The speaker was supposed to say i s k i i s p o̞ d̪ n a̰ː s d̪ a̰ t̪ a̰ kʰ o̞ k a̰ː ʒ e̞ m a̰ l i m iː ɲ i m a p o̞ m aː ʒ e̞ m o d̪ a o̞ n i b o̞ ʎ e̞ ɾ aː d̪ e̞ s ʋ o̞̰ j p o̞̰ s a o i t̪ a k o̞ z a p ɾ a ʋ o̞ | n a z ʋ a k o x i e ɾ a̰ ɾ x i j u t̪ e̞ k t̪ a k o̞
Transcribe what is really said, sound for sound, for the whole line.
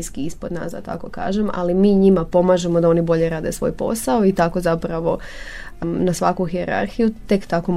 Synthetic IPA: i s k i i s p o̞ d̪ n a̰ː s d̪ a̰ t̪ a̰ k o̞ k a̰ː ʒ e̞ m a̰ l i m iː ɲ i m a p o̞ m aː ʒ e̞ m o d̪ a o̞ n i b o̞ ʎ e̞ ɾ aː d̪ e̞ s ʋ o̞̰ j p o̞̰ s a o i t̪ a k o̞ z a p ɾ a ʋ o̞ | n a s ʋ a k u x i e ɾ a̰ ɾ x i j u t̪ e̞ k t̪ a k o̞